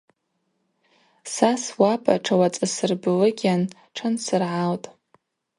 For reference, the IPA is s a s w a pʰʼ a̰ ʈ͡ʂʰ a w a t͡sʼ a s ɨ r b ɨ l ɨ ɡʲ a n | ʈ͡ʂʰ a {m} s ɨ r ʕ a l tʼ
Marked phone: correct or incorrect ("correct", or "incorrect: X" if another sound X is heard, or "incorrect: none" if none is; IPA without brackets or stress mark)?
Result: incorrect: n